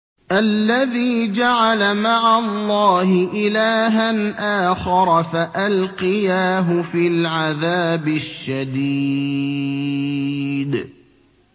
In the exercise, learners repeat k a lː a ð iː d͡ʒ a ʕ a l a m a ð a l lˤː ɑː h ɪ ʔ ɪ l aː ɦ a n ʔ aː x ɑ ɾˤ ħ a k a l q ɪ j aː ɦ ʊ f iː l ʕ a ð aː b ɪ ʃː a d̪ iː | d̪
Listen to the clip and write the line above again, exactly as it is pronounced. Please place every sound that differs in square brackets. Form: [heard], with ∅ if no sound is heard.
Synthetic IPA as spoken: [ʔ] a lː a ð iː d͡ʒ a ʕ a l a m a [ʕ] a l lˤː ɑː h ɪ ʔ ɪ l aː ɦ a n ʔ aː x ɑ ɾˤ [f] a [ʔ] a l q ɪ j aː ɦ ʊ f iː l ʕ a ð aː b ɪ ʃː a d̪ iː | d̪

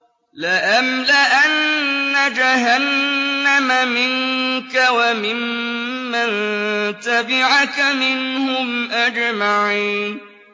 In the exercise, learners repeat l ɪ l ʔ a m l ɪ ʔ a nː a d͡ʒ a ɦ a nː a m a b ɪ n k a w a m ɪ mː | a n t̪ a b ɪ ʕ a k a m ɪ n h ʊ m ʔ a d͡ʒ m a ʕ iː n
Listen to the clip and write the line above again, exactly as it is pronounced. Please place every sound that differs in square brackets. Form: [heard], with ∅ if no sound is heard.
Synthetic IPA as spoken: l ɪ [∅] ʔ a m l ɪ ʔ a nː a d͡ʒ a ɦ a nː a m a [m] ɪ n k a w a m ɪ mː | a n t̪ a b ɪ ʕ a k a m ɪ n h ʊ m ʔ a d͡ʒ m a ʕ iː n

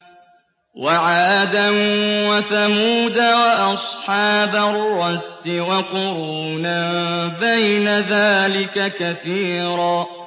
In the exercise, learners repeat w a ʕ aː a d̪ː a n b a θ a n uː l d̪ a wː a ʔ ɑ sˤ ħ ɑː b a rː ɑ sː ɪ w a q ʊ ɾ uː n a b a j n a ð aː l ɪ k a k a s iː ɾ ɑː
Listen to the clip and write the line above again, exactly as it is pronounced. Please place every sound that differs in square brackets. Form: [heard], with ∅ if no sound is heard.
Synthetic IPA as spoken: w a ʕ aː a [d̪] a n [w] a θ a [m] uː [∅] d̪ a [w] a ʔ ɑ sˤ ħ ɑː b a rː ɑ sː ɪ w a q ʊ ɾ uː n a b a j n a ð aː l ɪ k a k a [θ] iː ɾ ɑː

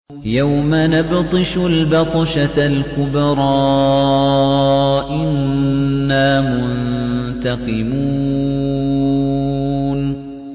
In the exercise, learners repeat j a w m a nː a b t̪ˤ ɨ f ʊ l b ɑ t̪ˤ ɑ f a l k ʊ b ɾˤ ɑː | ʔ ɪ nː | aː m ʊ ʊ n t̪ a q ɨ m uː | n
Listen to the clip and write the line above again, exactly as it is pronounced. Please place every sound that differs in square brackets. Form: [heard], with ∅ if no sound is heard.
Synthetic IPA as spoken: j a w m a [n] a b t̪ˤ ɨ [ʃ] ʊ l b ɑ t̪ˤ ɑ [ʃ] a l k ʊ b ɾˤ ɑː | ʔ ɪ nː | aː m ʊ ʊ n t̪ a q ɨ m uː | n

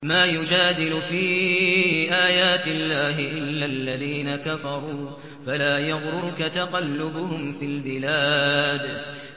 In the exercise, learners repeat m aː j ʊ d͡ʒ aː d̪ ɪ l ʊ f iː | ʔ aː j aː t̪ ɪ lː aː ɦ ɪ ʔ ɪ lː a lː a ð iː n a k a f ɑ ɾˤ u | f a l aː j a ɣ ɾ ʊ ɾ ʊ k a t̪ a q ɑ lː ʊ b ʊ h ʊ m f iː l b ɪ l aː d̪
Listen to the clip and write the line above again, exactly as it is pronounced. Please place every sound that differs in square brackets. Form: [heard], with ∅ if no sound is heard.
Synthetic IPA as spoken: m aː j ʊ d͡ʒ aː d̪ ɪ l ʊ f iː | ʔ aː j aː t̪ ɪ lː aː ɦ ɪ ʔ ɪ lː a lː a ð iː n a k a f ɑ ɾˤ [uː] | f a l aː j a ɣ ɾ ʊ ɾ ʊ k a t̪ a q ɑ lː ʊ b ʊ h ʊ m f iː l b ɪ l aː d̪

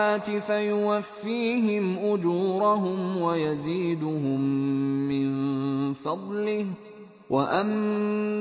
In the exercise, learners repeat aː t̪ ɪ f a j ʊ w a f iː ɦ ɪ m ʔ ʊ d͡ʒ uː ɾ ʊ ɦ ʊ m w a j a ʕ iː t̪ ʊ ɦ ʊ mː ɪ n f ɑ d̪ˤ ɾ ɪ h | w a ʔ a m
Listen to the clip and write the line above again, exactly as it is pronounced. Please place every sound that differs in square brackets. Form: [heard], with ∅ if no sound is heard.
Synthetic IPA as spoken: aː t̪ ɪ f a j ʊ w a [fː] iː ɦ ɪ m ʔ ʊ d͡ʒ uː ɾ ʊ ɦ ʊ m w a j a [z] iː [d̪] ʊ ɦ ʊ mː ɪ n f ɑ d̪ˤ [l] ɪ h | w a ʔ a m

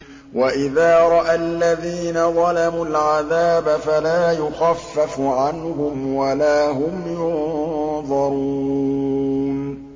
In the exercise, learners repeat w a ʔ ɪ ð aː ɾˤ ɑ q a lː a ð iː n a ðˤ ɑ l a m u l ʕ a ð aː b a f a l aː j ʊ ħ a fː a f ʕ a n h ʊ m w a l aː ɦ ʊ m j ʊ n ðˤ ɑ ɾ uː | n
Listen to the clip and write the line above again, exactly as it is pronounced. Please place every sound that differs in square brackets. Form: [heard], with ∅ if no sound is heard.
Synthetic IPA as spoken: w a ʔ ɪ ð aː ɾˤ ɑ [ʔ] a lː a ð iː n a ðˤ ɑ l a m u l ʕ a ð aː b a f a l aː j ʊ [x] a fː a f ʕ a n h ʊ m w a l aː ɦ ʊ m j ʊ n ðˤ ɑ ɾ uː | n

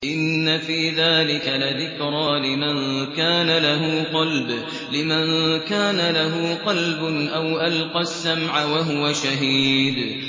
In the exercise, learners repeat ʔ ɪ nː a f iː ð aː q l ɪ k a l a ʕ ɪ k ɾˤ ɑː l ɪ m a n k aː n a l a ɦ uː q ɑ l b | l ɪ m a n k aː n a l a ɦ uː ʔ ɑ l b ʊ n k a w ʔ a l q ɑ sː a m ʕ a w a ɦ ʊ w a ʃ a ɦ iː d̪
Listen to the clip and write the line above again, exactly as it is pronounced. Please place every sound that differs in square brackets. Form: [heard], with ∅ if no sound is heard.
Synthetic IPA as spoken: ʔ ɪ nː a f iː ð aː [∅] l ɪ k a l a [ð] ɪ k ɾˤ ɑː l ɪ m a n k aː n a l a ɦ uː q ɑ l b | l ɪ m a n k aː n a l a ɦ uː [q] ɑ l b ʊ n [ʔ] a w ʔ a l q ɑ sː a m ʕ a w a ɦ ʊ w a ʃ a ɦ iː d̪

